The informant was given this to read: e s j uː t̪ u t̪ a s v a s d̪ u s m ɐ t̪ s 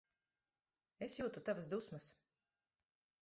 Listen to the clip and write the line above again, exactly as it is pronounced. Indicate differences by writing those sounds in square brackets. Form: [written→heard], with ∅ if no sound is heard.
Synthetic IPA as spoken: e s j uː t̪ u t̪ a [s→∅] v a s d̪ u s m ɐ [t̪→∅] s